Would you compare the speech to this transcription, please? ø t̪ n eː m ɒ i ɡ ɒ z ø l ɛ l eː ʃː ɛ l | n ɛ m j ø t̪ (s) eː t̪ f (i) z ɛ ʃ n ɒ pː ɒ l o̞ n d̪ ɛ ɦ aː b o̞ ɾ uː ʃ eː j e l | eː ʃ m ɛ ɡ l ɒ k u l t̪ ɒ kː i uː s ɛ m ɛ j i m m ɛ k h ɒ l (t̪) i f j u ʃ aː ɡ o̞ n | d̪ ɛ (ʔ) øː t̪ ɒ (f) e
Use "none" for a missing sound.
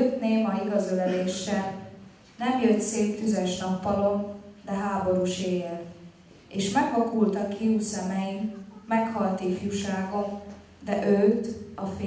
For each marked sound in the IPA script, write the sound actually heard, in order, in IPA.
s, y, t̪, ʔ, f

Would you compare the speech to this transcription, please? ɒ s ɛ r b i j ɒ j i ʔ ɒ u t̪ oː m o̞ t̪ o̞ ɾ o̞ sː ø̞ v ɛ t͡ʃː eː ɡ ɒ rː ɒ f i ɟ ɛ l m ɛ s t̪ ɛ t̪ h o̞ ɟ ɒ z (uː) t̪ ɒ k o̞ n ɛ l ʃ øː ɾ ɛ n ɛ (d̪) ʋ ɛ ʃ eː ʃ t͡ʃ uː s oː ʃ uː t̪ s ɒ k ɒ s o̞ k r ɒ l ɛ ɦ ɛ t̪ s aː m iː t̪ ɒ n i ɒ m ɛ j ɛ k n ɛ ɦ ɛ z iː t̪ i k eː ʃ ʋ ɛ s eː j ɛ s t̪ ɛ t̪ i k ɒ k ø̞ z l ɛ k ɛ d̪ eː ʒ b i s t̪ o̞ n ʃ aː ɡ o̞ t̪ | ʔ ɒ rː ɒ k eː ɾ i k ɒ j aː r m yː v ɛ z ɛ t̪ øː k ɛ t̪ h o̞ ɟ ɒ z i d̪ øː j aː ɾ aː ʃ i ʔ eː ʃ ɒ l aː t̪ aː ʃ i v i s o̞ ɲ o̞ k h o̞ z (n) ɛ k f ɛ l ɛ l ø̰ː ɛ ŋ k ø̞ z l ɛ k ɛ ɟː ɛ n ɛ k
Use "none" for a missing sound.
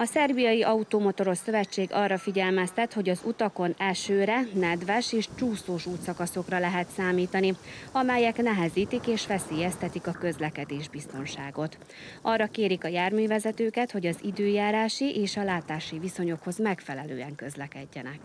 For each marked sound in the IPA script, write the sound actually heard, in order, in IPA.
u, d̪, m

